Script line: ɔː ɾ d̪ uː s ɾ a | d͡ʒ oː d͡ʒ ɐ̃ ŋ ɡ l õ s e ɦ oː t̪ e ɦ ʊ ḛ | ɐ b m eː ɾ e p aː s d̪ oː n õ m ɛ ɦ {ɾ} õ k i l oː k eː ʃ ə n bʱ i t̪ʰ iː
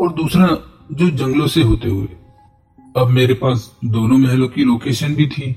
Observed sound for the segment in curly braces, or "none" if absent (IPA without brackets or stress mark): l